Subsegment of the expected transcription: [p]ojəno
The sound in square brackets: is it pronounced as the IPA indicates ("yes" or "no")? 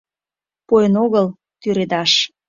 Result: yes